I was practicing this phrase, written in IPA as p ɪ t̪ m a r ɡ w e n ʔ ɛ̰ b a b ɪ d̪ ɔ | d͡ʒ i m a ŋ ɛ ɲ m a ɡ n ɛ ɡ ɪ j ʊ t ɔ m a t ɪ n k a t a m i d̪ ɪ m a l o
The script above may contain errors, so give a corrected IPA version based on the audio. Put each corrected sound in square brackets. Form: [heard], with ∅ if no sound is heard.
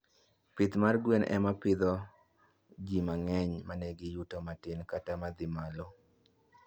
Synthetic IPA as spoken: p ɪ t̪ m a r ɡ w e n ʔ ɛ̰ [m] a [p] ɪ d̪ ɔ | d͡ʒ i m a ŋ ɛ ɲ m a [∅] n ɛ ɡ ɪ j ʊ t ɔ m a t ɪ n k a t a m [a] d̪ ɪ m a l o